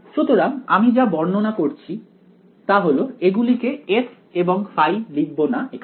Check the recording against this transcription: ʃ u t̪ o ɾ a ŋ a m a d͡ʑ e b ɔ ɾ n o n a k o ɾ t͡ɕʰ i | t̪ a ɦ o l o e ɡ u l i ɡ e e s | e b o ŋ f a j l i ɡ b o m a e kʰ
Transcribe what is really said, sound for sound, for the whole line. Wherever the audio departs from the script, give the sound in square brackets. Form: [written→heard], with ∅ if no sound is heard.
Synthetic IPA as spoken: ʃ u t̪ o ɾ a ŋ a m [a→i] d͡ʑ [e→a] b ɔ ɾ n o n a k o ɾ t͡ɕʰ i | t̪ a ɦ o l o e ɡ u l i [ɡ→k] e e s | e b o ŋ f a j l i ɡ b o [m→n] a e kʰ